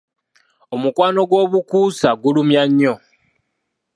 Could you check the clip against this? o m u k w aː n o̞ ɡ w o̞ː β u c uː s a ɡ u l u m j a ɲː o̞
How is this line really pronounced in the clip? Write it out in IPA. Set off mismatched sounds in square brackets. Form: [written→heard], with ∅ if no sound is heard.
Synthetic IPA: o m u k w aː n o̞ ɡ w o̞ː β u [c→k] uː s a ɡ u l u m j a ɲː o̞